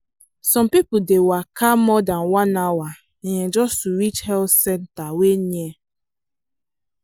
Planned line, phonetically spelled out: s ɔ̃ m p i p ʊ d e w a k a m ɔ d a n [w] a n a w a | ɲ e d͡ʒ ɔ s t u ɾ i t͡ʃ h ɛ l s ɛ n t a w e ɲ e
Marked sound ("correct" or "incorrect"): correct